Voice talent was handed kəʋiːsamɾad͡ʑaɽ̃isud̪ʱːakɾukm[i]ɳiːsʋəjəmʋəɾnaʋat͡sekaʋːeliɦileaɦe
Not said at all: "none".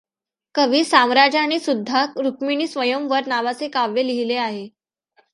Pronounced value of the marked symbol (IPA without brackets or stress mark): i